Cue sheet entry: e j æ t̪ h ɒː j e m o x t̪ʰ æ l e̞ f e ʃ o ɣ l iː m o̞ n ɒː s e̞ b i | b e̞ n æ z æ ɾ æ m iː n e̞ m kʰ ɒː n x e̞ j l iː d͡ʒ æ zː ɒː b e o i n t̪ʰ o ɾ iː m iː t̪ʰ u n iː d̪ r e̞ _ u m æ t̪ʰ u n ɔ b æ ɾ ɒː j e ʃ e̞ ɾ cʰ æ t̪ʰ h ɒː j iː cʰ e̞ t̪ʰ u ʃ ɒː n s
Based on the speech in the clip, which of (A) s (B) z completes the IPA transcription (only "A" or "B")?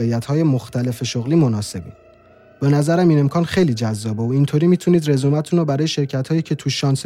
B